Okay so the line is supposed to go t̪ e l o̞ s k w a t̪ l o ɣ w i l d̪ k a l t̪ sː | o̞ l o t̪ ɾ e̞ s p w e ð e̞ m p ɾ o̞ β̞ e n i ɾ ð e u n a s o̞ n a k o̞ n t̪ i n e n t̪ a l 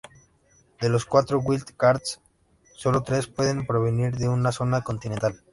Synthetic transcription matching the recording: d̪ e l o̞ s k w a t̪ ɾ o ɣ w i l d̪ k a ɾ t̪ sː | o̞ l o t̪ ɾ e̞ s p w e ð e̞ m p ɾ o̞ β̞ e n i ɾ ð e u n a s o̞ n a k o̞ n t̪ i n e n t̪ a l